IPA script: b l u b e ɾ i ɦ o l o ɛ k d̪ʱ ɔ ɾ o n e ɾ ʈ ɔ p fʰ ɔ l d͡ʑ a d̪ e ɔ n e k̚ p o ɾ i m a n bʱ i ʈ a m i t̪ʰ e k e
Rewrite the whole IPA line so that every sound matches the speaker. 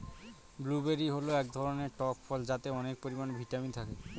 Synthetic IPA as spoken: b l u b e ɾ i ɦ o l o ɛ k d̪ʱ ɔ ɾ o n e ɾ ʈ ɔ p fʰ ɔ l d͡ʑ a t̪ e ɔ n e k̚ p o ɾ i m a n bʱ i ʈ a m i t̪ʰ a k e